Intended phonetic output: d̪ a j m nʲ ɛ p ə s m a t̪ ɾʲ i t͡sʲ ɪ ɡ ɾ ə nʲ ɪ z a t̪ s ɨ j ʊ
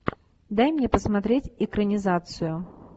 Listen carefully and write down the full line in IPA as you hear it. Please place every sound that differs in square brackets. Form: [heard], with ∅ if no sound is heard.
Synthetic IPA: d̪ a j m nʲ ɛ p ə s m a t̪ ɾʲ [e] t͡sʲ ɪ [k] ɾ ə nʲ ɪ z a t̪ s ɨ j ʊ